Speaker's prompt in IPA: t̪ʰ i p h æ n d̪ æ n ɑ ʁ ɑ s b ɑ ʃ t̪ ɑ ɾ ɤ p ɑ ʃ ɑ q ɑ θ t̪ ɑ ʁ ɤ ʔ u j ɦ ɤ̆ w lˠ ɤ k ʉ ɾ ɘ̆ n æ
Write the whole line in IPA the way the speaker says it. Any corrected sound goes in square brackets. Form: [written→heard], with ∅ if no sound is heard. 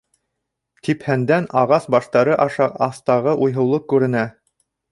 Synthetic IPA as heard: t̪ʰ i p h æ n d̪ æ n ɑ ʁ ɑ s b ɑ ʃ t̪ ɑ ɾ ɤ [p→ʔ] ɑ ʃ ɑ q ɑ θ t̪ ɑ ʁ ɤ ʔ u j ɦ ɤ̆ w lˠ ɤ k ʉ ɾ ɘ̆ n æ